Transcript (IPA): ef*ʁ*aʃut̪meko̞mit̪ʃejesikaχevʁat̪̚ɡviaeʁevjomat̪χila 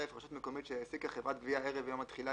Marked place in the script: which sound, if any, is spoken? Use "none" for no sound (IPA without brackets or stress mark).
ʁ